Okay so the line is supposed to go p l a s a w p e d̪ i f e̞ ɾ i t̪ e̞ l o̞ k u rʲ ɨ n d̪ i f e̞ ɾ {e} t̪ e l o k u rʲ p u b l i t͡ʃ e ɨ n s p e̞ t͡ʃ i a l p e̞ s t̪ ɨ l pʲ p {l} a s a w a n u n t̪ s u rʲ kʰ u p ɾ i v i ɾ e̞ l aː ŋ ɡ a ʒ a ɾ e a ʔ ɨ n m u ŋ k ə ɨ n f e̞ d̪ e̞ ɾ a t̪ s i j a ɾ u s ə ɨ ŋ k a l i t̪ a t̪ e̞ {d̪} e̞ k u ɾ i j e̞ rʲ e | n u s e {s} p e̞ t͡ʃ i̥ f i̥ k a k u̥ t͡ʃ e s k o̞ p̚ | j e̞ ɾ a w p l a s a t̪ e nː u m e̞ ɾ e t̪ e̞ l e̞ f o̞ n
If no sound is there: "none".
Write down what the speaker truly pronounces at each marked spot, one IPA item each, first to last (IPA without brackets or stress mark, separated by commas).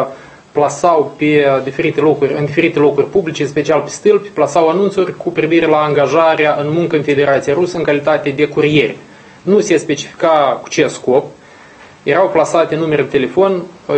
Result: i, l, d̪, s